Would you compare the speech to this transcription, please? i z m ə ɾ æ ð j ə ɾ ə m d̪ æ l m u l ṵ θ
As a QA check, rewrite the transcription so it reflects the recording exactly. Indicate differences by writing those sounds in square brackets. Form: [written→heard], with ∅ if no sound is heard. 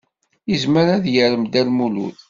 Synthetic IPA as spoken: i z m ə ɾ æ ð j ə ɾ ə m d̪ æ l m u l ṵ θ